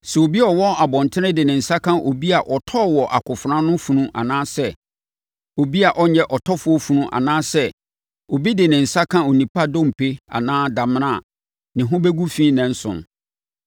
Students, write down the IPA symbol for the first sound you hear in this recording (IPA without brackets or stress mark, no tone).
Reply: s